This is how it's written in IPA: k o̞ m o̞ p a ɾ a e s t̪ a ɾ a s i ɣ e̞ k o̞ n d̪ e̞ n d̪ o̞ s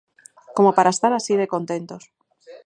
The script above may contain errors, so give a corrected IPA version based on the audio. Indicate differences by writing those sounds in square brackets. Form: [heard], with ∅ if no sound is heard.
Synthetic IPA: k o̞ m o̞ p a ɾ a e s t̪ a ɾ a s i [ð] e̞ k o̞ n [t̪] e̞ n [t̪] o̞ s